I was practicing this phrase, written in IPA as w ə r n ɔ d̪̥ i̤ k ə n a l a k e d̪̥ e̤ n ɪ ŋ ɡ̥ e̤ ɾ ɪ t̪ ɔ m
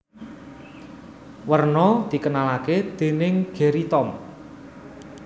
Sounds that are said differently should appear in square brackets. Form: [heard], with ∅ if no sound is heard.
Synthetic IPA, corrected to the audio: w ə r n ɔ d̪̥ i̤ k ə n a l a k e d̪̥ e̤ n ɪ ŋ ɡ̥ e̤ ɾ [i] t̪ ɔ m